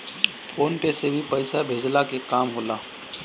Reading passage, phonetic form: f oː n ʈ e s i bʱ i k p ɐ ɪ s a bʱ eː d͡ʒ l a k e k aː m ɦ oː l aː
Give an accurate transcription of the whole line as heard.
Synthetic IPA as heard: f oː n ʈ e s e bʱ i p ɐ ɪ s a bʱ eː d͡ʒ l a k e k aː m ɦ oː l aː